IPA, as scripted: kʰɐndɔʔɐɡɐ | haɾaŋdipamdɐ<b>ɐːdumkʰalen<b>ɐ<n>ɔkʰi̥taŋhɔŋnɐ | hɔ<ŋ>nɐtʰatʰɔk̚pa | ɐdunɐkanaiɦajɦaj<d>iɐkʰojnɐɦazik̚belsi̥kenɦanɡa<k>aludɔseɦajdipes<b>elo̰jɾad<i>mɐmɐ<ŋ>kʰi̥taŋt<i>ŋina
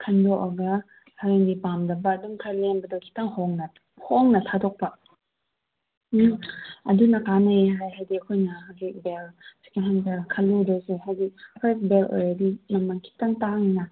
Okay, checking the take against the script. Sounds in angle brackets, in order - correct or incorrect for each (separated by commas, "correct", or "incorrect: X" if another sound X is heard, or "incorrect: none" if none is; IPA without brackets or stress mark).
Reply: correct, correct, incorrect: d, correct, correct, incorrect: kʰ, correct, correct, correct, incorrect: a